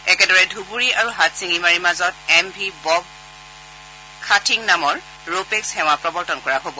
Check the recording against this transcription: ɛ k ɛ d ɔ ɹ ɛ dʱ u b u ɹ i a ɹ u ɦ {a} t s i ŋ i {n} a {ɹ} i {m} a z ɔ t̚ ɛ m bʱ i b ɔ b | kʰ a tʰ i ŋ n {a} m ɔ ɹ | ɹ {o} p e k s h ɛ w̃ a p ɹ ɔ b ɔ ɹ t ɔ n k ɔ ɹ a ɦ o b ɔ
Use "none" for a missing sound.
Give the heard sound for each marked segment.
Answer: a, m, ɹ, m, a, o

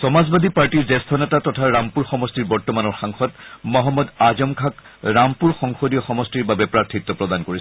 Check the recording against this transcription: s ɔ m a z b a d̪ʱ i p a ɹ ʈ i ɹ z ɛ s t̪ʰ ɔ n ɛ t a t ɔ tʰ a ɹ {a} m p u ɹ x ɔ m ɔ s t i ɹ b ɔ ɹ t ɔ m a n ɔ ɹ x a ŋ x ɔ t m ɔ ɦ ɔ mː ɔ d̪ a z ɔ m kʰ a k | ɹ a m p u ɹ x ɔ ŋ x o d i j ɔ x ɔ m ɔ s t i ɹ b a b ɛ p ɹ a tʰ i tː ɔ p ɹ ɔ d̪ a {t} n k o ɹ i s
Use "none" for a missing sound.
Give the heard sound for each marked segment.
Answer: a, none

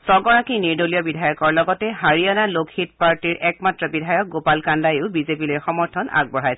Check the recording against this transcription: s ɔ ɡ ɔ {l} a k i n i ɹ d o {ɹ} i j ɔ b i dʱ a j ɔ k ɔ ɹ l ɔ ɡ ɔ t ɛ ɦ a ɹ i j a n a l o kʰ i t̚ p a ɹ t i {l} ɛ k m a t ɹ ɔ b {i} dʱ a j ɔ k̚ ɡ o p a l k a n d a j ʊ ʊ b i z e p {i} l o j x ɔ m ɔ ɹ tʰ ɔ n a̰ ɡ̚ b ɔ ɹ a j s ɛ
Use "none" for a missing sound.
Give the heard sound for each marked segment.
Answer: ɹ, l, ɹ, i, i

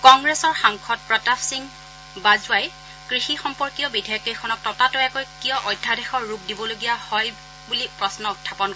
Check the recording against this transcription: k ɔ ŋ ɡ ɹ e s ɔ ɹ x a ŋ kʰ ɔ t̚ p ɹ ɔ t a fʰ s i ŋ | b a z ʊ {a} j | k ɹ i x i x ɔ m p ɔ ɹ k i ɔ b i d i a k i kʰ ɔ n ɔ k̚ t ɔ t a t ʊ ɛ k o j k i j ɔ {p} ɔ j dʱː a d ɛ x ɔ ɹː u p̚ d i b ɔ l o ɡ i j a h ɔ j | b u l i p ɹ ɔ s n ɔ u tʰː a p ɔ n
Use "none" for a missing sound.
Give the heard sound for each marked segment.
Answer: a, ʔ

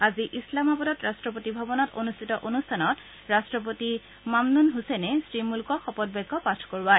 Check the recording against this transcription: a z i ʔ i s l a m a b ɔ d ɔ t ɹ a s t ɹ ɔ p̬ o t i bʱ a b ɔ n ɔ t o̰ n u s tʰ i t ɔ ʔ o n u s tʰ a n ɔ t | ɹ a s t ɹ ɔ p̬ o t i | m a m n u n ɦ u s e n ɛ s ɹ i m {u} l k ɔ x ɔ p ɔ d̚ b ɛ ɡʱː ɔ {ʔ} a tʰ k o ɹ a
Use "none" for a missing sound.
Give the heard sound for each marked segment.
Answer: u, p

